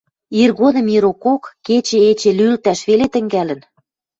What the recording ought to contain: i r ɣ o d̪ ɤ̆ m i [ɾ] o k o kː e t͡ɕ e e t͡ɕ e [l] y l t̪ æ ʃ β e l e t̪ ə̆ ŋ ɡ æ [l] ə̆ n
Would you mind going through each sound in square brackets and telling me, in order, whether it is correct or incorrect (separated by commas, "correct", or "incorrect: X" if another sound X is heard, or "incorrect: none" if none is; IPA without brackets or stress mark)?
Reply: correct, correct, correct